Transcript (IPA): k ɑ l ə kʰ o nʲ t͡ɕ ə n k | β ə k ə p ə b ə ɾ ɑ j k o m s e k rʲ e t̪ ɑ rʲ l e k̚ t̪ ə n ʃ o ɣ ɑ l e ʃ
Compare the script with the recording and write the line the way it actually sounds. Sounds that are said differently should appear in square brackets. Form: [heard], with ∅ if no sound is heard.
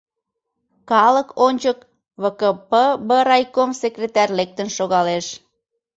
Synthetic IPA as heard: k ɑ l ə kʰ o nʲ t͡ɕ ə [∅] k | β ə k ə p ə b ə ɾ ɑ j k o m s e k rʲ e t̪ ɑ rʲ l e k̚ t̪ ə n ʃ o ɣ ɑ l e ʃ